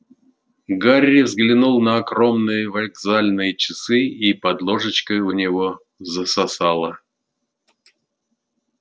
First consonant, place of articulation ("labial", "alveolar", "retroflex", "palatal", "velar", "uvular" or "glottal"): velar